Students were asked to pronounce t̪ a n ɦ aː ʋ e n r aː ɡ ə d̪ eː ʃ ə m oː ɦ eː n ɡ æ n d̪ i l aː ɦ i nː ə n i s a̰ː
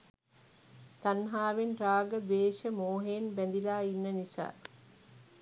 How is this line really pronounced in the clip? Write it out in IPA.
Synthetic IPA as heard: t̪ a n ɦ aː ʋ e n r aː ɡ ə d̪ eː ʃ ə m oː ɦ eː n b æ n d̪ i l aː i nː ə n i s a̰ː